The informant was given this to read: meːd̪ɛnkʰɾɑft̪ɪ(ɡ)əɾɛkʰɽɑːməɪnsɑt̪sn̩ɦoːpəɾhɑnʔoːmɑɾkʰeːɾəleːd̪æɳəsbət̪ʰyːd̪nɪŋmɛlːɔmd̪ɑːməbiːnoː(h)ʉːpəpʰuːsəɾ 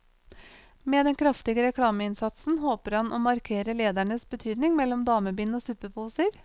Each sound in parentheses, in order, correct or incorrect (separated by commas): correct, incorrect